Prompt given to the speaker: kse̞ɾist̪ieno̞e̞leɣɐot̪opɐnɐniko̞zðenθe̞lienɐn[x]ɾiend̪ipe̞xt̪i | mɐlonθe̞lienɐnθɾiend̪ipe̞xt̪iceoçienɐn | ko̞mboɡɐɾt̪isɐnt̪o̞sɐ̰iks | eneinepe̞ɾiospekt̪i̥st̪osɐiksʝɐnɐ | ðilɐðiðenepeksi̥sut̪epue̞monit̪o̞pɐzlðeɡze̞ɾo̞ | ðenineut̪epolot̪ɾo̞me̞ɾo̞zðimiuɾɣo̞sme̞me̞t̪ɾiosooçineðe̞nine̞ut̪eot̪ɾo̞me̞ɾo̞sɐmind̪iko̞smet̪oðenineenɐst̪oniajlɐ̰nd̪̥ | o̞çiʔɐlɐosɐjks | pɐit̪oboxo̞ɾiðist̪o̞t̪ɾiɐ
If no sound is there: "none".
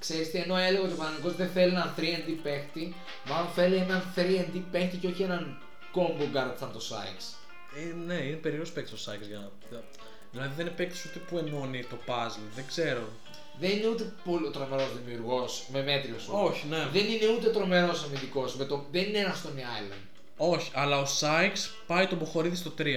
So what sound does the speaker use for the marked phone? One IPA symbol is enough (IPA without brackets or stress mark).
θ